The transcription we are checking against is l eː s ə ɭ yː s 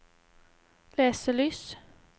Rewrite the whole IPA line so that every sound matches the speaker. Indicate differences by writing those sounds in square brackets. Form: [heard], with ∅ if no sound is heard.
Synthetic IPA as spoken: l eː s ə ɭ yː s